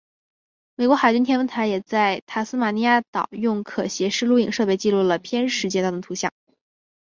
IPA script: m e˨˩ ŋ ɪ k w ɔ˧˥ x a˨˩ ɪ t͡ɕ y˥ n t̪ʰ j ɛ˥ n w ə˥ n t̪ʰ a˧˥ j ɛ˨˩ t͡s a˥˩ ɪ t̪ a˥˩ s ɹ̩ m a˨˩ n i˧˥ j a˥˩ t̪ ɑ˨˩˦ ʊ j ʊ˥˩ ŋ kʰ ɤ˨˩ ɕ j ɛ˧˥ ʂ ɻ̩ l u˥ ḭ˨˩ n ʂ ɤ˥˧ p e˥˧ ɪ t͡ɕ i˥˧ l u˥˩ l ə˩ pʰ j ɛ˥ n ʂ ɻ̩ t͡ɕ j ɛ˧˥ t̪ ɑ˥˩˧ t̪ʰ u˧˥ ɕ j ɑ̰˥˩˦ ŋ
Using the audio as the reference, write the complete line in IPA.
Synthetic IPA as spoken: m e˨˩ ɪ k w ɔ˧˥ x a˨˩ ɪ t͡ɕ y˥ n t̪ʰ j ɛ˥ n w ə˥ n t̪ʰ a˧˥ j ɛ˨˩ t͡s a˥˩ ɪ t̪ʰ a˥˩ s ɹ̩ m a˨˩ n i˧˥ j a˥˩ t̪ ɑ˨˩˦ ʊ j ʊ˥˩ ŋ kʰ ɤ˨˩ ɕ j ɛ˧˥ ʂ ɻ̩ l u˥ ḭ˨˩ ŋ ʂ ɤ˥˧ p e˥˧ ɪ t͡ɕ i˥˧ l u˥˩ l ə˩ pʰ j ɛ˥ n ʂ ɻ̩ t͡ɕ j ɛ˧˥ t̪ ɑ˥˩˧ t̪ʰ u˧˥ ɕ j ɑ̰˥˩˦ ŋ